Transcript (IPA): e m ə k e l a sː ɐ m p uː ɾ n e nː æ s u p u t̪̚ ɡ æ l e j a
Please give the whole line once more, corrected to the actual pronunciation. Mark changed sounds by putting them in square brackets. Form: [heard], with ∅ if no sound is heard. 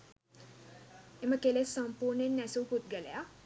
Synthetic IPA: e m ə k e l [e] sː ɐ m p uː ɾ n e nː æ s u p u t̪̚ ɡ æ l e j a